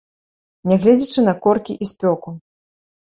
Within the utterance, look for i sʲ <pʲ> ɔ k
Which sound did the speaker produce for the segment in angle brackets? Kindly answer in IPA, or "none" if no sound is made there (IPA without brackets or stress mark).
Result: pʲ